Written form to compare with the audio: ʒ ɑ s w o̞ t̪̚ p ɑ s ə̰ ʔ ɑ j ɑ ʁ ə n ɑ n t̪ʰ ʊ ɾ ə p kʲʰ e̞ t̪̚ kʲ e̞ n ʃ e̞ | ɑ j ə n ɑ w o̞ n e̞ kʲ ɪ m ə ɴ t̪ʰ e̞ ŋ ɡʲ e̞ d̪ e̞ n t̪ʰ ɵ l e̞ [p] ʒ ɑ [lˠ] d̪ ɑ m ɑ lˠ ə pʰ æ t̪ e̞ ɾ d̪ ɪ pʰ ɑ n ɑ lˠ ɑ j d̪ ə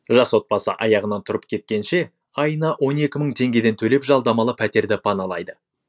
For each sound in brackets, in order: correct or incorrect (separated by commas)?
correct, correct